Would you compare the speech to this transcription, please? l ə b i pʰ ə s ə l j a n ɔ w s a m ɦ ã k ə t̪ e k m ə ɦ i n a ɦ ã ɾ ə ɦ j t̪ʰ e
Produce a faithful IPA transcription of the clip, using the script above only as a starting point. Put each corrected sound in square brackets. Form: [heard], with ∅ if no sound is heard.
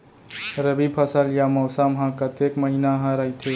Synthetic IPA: [ɾ] ə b i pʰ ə s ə l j a [m] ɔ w s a m ɦ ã k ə t̪ e k m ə ɦ i n a ɦ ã ɾ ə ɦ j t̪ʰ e

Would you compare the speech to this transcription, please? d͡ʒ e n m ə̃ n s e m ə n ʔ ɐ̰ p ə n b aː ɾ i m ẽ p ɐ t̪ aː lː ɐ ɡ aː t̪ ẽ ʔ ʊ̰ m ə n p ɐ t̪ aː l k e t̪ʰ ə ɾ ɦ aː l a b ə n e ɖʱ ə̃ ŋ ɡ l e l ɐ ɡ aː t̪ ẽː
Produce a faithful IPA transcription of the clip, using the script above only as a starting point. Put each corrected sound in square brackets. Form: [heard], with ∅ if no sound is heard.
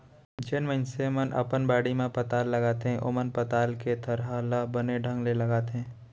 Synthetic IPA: d͡ʒ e n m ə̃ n s e m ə n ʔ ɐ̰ p ə n b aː [ɽ] i m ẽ p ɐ t̪ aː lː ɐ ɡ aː t̪ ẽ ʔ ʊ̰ m ə n p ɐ t̪ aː l k e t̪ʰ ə ɾ ɦ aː l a b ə n e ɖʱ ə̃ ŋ ɡ l e l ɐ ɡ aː t̪ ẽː

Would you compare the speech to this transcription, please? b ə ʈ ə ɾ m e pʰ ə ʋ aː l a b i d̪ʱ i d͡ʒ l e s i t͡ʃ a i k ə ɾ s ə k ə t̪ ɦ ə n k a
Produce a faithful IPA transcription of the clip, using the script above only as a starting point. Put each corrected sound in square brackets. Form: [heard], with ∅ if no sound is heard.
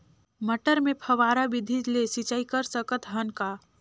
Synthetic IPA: [m] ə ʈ ə ɾ m e pʰ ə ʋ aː [ɾ] a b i d̪ʱ i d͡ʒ l e s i t͡ʃ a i k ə ɾ s ə k ə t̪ ɦ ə n k a

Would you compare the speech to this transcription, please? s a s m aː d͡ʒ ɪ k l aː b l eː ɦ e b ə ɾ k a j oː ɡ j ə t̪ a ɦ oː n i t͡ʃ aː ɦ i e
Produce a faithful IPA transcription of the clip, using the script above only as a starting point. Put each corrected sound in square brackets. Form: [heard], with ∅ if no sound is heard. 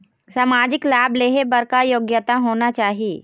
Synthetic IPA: s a [∅] m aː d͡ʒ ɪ k l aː b l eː ɦ e b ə ɾ k a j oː ɡ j ə t̪ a ɦ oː n [a] t͡ʃ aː ɦ i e

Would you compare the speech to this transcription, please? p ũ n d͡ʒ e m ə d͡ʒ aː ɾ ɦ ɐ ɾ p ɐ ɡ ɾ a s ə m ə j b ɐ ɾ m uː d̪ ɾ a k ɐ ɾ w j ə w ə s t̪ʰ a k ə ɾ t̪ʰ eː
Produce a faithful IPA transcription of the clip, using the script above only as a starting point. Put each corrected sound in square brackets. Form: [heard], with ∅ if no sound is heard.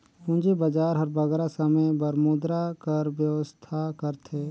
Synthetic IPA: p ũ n d͡ʒ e [b] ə d͡ʒ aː ɾ ɦ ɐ ɾ [b] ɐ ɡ ɾ a s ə m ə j b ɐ ɾ m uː d̪ ɾ a k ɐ ɾ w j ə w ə s t̪ʰ a k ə ɾ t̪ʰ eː

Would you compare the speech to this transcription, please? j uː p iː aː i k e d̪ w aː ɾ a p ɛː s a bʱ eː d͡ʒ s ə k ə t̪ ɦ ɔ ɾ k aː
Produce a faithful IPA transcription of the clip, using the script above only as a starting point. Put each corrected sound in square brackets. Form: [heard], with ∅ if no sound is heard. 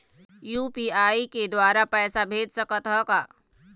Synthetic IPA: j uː p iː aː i k e d̪ w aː ɾ a p ɛː s a bʱ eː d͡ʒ s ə k ə t̪ ɦ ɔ [∅] k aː

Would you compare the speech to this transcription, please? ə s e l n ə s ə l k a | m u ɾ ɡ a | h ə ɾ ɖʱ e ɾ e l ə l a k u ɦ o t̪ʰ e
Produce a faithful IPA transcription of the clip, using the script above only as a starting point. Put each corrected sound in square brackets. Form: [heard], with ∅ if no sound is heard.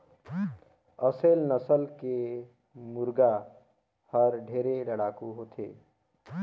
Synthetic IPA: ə s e l n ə s ə l k [e] | m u ɾ ɡ a | h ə ɾ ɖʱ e ɾ e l ə [ɽ] a k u ɦ o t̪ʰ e

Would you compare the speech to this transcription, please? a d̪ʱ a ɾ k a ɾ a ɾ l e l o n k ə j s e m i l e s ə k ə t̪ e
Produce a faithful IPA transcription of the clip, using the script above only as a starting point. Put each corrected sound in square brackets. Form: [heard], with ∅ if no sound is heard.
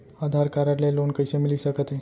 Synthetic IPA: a d̪ʱ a ɾ k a ɾ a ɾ l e l o n k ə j s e m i l [i] s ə k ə t̪ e

